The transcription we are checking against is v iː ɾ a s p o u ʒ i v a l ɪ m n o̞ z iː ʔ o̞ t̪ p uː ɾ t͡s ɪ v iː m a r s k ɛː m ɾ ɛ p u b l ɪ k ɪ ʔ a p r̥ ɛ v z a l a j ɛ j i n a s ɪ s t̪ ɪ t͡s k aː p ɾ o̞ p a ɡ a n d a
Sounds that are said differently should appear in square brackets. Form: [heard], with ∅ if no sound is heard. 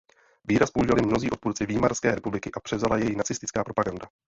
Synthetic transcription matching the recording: v iː ɾ a s p o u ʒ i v a l ɪ m n o̞ z iː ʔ o̞ t̪ p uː ɾ t͡s ɪ v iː m a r s k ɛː [∅] ɾ ɛ p u b l ɪ k ɪ ʔ a p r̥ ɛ v z a l a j ɛ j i n a [t͡s] ɪ s t̪ ɪ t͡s k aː p ɾ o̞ p a ɡ a n d a